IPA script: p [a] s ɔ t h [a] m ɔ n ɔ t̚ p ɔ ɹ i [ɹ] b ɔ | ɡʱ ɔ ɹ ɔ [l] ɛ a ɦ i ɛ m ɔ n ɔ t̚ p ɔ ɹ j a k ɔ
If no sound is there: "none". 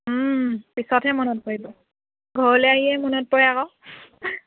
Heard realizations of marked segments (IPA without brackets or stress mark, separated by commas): i, ɛ, none, l